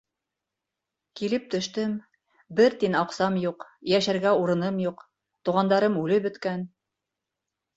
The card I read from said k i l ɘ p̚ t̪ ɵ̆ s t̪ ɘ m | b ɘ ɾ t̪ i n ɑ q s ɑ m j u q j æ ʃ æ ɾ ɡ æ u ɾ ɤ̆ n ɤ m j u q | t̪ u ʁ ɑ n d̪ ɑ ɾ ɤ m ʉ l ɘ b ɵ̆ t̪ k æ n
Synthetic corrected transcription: k i l ɘ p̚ t̪ ɵ̆ ʃ t̪ ɘ m | b ɘ ɾ t̪ i n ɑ q s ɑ m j u q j æ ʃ æ ɾ ɡ æ u ɾ ɤ̆ n ɤ m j u q | t̪ u ʁ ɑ n d̪ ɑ ɾ ɤ m ʉ l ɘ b ɵ̆ t̪ k æ n